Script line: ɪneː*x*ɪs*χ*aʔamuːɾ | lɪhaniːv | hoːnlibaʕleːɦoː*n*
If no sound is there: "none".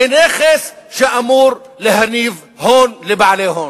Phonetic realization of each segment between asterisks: x, ʃ, n

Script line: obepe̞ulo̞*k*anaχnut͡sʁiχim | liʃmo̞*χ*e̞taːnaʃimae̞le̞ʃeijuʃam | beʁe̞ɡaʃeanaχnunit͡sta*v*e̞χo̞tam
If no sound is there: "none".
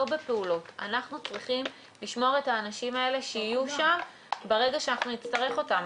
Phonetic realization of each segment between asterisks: t, ʁ, ʁ

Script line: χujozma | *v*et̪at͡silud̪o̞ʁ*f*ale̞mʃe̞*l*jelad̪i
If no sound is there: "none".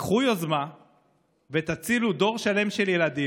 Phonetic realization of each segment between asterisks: v, ʃ, l

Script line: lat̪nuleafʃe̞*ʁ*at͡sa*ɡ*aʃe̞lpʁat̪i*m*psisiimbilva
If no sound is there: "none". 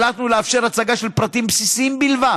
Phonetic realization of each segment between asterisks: ʁ, ɡ, m

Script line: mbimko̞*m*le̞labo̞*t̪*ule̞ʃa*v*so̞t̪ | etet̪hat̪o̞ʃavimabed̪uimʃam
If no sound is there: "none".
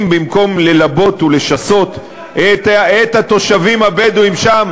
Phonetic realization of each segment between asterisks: m, t̪, none

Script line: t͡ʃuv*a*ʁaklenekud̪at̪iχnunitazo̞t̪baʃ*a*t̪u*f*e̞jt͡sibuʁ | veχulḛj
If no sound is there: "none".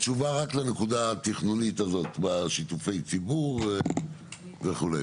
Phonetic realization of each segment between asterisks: a, i, f

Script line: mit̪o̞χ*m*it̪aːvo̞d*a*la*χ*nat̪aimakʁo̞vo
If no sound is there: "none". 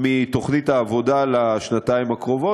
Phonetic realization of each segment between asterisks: n, a, ʃ

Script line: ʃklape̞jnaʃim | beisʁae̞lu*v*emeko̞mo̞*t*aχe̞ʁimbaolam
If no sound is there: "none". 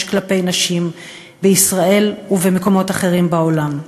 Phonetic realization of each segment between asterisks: v, t

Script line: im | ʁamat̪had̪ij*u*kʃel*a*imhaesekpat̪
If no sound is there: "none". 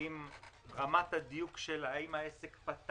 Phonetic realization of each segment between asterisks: u, a

